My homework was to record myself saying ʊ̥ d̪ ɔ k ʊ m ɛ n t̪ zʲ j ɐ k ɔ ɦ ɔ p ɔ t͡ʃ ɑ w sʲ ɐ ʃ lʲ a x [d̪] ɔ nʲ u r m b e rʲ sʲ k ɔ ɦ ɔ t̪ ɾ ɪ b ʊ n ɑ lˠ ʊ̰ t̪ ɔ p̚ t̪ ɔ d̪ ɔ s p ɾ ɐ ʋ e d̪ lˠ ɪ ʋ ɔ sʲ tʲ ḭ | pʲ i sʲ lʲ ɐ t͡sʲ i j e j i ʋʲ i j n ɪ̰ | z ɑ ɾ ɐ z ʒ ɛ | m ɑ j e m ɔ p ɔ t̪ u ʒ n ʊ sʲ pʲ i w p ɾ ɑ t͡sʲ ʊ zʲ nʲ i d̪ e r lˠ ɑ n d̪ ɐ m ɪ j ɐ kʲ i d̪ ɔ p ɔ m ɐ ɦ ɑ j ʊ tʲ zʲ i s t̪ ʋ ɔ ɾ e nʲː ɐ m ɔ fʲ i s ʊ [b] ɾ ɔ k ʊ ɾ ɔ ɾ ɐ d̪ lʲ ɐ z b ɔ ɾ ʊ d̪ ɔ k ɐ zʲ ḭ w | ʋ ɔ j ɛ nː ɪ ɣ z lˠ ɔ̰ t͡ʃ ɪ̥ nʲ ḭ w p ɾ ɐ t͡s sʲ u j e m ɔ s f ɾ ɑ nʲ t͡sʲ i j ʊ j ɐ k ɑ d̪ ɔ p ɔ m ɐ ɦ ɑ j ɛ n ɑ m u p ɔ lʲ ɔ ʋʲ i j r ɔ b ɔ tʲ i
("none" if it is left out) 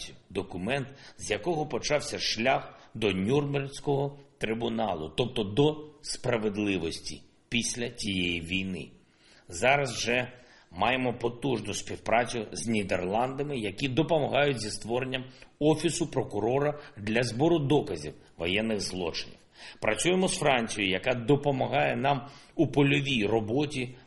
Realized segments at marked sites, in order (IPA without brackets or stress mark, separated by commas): d̪, p